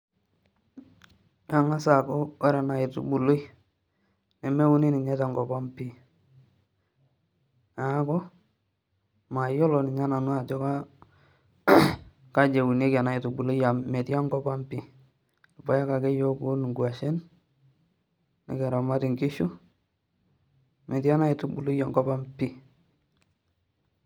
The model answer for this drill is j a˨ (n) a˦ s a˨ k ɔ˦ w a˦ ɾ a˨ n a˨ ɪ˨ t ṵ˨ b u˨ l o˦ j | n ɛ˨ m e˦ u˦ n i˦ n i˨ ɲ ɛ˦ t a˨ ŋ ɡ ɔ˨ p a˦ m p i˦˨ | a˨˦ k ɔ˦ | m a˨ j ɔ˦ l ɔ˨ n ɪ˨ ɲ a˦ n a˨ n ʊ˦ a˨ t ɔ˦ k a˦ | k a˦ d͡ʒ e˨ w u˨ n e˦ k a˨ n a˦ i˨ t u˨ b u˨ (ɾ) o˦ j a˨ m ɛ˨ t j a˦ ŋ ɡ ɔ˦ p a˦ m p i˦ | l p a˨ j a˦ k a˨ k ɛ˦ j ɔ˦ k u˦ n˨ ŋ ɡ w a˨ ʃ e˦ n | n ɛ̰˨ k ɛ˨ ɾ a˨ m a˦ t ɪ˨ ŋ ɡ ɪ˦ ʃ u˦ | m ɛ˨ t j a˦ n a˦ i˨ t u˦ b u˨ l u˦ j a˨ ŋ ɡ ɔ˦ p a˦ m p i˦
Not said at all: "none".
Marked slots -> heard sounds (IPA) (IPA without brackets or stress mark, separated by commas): ŋ, l